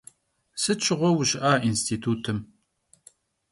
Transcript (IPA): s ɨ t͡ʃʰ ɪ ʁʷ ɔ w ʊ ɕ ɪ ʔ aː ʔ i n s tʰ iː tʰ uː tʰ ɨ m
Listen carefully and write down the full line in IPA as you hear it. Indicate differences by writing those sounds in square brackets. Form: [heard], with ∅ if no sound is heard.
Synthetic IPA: s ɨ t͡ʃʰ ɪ ʁʷ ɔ w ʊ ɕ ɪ ʔ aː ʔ i n s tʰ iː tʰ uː tʰ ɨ m